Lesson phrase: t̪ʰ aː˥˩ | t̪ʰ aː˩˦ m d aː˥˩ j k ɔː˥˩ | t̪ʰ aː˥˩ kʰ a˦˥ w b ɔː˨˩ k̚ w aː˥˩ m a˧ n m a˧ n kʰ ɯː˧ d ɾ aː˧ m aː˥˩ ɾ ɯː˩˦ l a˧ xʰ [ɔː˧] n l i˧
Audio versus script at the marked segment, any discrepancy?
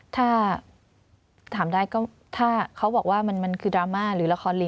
no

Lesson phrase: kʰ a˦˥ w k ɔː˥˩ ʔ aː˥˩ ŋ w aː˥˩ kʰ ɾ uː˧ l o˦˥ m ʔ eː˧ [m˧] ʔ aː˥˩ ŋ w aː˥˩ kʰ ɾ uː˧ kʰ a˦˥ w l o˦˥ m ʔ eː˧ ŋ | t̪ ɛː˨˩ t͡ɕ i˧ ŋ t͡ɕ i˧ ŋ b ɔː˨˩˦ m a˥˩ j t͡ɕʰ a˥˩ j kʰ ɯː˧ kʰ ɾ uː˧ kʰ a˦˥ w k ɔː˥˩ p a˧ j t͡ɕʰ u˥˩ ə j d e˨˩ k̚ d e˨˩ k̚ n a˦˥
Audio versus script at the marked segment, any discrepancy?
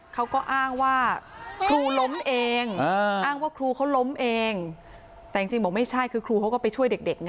yes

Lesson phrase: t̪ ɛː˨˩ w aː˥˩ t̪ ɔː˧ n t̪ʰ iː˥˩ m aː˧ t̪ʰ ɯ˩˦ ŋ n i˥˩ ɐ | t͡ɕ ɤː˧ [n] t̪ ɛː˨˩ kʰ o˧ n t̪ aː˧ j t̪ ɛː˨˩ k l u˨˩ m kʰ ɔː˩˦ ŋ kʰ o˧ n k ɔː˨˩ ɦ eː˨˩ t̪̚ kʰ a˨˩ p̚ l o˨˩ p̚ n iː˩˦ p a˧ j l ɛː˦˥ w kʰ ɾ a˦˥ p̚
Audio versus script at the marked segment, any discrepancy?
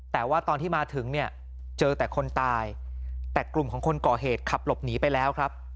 yes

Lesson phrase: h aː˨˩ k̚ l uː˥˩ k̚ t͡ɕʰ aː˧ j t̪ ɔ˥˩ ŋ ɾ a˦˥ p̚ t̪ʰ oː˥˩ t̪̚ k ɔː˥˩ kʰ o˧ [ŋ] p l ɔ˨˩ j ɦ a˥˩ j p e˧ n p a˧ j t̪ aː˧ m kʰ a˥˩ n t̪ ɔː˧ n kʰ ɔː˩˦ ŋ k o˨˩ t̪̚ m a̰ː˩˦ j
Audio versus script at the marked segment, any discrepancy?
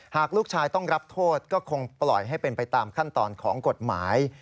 no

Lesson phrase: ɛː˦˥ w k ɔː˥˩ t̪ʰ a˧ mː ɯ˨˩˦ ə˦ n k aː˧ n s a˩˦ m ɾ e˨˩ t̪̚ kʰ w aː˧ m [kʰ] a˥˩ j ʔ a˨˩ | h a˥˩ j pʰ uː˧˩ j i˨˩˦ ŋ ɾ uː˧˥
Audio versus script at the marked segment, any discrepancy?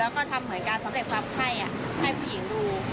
no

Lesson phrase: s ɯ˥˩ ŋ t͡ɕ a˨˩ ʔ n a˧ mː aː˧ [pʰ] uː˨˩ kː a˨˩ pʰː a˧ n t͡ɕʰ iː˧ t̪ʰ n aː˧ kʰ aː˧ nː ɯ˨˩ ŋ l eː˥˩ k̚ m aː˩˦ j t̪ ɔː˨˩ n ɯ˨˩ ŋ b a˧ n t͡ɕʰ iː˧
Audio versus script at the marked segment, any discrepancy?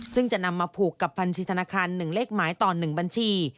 no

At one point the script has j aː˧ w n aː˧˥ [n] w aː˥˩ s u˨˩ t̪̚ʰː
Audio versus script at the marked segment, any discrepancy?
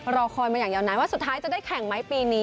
no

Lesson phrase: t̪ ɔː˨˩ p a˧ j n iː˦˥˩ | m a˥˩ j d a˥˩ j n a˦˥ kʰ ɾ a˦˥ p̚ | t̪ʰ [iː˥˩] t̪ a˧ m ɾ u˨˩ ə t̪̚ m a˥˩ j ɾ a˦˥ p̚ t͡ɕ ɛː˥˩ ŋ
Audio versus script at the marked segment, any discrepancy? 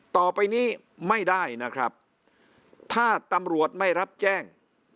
yes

